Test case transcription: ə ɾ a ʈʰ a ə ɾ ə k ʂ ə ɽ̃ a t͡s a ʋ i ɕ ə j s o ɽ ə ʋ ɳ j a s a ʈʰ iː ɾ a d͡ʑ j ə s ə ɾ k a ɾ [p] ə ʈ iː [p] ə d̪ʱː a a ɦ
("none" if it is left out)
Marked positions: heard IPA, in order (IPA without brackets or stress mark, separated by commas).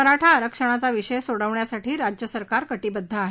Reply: k, b